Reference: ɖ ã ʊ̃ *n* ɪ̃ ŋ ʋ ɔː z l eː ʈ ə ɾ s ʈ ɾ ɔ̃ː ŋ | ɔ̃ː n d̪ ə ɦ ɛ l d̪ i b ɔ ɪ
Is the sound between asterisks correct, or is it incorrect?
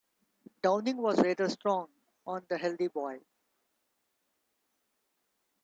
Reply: correct